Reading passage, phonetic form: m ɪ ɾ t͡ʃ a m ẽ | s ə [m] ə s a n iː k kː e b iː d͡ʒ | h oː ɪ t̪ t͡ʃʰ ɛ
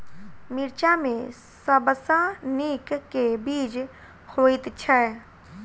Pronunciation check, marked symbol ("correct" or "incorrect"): incorrect